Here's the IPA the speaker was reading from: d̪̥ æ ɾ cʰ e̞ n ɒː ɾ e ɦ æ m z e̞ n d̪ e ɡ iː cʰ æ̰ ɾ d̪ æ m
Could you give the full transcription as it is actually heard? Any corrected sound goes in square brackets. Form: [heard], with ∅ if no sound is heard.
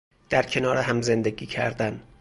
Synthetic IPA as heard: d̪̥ æ ɾ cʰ e̞ n ɒː ɾ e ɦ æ m z e̞ n d̪ e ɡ iː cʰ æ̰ ɾ d̪ æ [n]